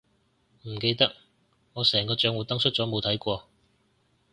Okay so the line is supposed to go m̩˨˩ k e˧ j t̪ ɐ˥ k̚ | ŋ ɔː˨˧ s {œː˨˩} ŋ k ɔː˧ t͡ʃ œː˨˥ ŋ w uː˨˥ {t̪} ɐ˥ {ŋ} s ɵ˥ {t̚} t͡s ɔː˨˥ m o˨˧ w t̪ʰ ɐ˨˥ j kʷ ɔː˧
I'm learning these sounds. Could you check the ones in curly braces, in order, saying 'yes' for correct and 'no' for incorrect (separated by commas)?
no, yes, yes, yes